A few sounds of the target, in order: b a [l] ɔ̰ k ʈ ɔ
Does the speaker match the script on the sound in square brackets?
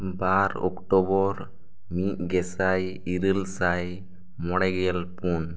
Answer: no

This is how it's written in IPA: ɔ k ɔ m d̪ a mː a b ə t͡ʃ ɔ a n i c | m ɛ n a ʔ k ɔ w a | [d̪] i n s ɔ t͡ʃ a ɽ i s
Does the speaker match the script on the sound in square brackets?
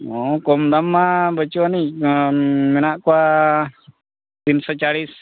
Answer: no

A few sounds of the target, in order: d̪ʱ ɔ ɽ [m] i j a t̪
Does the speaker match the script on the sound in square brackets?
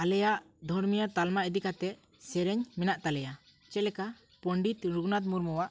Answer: yes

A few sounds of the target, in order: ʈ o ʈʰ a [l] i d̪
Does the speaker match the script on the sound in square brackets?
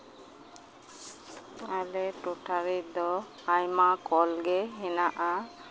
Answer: no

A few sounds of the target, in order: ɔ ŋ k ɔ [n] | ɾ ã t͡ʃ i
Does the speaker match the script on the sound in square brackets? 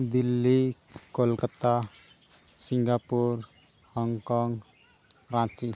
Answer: no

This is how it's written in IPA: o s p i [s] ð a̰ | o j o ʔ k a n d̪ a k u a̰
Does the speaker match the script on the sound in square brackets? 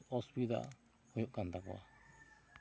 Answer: no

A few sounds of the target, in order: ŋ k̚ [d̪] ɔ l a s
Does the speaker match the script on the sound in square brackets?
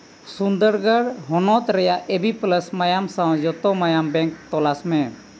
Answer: no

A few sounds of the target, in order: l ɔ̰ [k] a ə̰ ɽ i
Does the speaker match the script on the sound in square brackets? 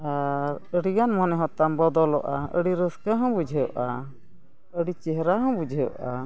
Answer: no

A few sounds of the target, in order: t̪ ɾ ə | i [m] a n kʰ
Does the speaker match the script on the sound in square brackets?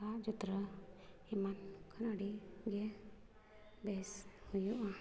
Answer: yes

